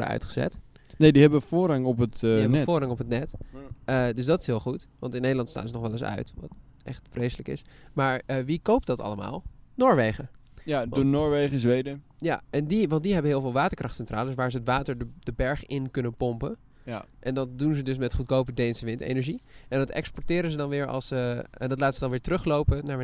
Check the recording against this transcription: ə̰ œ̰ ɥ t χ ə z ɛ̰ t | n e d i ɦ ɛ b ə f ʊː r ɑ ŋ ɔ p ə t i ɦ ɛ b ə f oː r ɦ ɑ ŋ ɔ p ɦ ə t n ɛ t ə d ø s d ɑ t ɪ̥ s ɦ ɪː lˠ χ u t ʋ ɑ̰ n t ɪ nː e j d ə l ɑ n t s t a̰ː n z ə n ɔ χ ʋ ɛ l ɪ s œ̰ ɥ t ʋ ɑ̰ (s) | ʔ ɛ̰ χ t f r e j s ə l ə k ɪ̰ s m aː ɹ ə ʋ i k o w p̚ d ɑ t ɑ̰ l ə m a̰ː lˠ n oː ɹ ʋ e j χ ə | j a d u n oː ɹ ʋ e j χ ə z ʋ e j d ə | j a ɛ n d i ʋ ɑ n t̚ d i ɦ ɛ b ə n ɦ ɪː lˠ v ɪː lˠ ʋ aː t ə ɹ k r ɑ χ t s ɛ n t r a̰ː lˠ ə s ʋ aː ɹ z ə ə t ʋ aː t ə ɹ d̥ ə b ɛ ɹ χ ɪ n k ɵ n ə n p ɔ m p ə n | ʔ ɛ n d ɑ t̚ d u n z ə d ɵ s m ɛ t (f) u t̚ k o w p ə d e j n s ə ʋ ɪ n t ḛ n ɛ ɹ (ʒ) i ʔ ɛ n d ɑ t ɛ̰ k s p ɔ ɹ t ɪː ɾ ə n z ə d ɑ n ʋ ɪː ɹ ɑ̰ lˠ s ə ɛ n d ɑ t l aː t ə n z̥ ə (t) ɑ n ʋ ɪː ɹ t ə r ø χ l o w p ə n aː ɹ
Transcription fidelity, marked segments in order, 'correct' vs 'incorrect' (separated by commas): incorrect, incorrect, correct, incorrect